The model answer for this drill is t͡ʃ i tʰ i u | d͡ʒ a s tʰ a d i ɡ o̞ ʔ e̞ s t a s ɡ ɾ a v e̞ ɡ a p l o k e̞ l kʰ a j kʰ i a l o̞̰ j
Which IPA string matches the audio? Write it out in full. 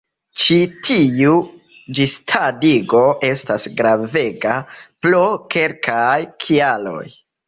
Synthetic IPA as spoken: t͡ʃ i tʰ i u | d͡ʒ i s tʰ a d i ɡ o̞ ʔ e̞ s t a s ɡ ɾ a v e̞ ɡ a p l o k e̞ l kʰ a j kʰ i a l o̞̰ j